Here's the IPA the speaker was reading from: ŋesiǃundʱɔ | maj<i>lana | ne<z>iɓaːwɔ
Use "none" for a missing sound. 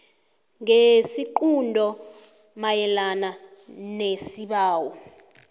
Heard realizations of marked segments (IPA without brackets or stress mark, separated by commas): ɛ, s